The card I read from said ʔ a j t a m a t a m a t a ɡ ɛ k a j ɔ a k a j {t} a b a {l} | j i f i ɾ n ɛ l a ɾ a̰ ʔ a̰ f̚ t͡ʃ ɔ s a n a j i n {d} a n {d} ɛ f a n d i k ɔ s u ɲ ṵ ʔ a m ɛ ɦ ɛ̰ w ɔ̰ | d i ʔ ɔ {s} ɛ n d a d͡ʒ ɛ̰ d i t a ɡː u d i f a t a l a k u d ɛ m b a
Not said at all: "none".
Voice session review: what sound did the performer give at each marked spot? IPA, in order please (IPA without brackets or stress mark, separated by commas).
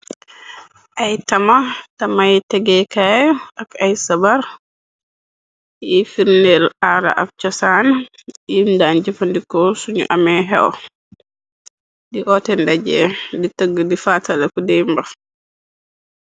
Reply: s, ɾ, d, d͡ʒ, t